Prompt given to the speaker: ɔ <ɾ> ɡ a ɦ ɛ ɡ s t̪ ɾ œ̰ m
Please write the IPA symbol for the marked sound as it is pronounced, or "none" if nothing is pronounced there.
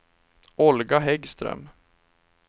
l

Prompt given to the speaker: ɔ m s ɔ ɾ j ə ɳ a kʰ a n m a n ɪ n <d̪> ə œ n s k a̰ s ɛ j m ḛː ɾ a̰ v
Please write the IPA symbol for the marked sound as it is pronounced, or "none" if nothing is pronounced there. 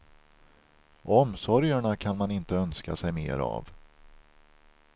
t̪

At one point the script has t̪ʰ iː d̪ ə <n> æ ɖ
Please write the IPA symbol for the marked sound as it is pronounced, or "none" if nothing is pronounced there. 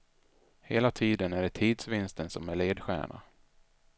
n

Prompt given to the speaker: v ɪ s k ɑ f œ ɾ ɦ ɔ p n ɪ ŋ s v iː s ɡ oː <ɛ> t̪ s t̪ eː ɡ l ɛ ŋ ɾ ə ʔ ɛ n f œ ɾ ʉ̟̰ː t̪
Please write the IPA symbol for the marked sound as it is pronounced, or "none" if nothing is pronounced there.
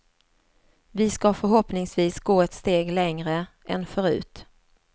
ɛ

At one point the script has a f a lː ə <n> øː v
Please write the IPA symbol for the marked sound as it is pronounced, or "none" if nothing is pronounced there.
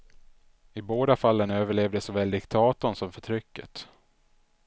n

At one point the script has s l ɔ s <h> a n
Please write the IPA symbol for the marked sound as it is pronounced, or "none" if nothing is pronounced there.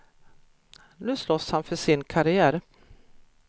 h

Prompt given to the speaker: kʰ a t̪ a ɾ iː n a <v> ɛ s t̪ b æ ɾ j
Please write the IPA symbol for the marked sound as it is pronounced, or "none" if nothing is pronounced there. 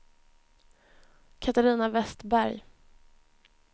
v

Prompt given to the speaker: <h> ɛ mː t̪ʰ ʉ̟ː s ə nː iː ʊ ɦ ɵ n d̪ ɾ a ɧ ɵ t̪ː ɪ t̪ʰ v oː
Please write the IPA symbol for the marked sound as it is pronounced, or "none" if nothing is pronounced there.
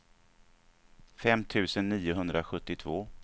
f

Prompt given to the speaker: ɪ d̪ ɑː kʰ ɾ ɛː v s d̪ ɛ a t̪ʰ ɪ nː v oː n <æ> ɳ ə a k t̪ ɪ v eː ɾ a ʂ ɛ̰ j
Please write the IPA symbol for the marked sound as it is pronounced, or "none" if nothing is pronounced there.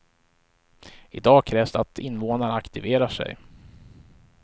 a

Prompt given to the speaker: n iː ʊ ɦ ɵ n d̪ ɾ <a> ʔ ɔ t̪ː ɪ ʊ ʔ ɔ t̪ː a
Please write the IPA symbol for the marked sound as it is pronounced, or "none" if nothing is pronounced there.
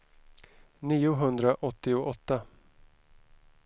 a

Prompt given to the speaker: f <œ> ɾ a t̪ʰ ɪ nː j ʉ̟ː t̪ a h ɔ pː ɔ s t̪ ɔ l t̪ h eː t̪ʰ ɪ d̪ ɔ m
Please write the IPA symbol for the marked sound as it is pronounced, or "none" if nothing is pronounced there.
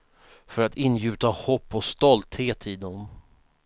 œ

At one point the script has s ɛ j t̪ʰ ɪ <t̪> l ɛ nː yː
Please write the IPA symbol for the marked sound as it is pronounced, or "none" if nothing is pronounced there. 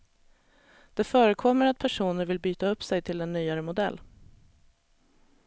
none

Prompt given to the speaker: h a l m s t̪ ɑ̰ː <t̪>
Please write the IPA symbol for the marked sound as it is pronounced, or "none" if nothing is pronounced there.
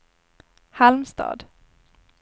d̪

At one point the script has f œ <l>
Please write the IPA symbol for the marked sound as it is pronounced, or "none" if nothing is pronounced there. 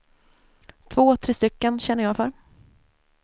ɾ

